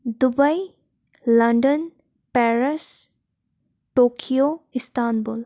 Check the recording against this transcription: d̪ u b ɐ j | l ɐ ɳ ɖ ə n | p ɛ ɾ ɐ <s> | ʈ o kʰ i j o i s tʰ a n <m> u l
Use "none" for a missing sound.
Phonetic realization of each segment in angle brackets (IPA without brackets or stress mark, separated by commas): s, b